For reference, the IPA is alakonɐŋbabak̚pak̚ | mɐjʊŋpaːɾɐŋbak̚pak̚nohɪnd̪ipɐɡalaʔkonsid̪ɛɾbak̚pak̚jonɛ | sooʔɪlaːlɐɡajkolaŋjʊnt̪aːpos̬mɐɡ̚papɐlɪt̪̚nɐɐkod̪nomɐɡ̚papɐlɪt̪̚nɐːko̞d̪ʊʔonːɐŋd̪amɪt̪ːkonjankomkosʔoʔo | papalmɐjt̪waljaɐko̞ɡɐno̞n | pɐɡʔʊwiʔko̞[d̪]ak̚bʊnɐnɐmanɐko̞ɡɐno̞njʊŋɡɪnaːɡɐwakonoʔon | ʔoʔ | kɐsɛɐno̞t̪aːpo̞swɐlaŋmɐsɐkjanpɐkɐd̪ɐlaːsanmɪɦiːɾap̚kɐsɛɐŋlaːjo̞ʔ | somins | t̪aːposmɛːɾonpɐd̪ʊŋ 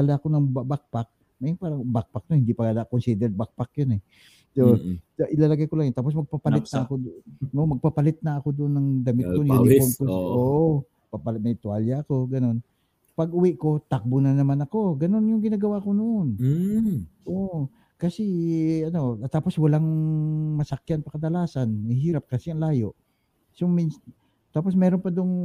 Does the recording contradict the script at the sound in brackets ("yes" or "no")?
yes